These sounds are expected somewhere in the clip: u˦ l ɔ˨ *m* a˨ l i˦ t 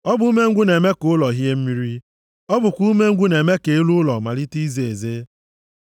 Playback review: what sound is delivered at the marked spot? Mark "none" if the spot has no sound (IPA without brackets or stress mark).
m